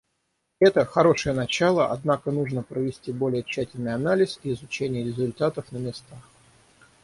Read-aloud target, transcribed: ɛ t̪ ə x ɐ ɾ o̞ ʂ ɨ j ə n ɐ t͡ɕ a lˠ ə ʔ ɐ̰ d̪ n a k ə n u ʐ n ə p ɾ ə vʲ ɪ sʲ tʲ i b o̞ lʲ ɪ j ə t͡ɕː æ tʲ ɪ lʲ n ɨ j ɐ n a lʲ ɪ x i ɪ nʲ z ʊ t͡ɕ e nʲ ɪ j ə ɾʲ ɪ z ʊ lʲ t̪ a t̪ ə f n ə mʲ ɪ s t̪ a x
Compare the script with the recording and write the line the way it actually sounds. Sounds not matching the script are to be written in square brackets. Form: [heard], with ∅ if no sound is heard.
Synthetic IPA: ɛ t̪ ə x ɐ ɾ o̞ ʂ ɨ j ə n ɐ t͡ɕ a lˠ ə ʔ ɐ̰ d̪ n a k ə n u ʐ n ə p ɾ ə vʲ ɪ sʲ tʲ i b o̞ lʲ ɪ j ə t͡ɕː æ tʲ ɪ lʲ n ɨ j ɐ n a lʲ ɪ [s] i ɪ [∅] z ʊ t͡ɕ e nʲ ɪ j ə ɾʲ ɪ z ʊ lʲ t̪ a t̪ ə f n ə mʲ ɪ s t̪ a x